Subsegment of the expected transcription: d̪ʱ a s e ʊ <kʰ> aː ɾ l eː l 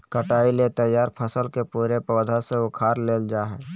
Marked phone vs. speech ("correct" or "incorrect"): correct